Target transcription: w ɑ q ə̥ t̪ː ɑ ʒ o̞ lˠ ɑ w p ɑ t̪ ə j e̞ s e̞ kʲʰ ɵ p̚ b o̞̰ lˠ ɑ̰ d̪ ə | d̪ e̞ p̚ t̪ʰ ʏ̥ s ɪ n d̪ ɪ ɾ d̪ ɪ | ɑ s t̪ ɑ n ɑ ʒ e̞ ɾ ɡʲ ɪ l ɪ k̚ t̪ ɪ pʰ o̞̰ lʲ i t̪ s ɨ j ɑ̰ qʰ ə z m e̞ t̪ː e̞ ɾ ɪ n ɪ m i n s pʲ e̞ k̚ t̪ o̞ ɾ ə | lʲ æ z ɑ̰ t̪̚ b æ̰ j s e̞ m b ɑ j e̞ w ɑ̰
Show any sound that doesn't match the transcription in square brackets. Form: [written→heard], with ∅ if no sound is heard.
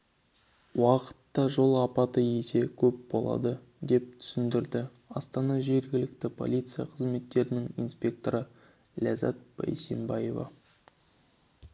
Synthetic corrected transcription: w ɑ q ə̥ t̪ː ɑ ʒ o̞ lˠ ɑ [w→∅] p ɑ t̪ ə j e̞ s e̞ kʲʰ ɵ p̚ b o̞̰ lˠ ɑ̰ d̪ ə | d̪ e̞ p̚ t̪ʰ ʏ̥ s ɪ n d̪ ɪ ɾ d̪ ɪ | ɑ s t̪ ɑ n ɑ ʒ e̞ ɾ ɡʲ ɪ l ɪ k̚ t̪ ɪ pʰ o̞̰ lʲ i t̪ s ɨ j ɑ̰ qʰ ə z m e̞ t̪ː e̞ ɾ ɪ n ɪ [m→ŋ] i n s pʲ e̞ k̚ t̪ o̞ ɾ ə | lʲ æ z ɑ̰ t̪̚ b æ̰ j s e̞ m b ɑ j e̞ [w→v] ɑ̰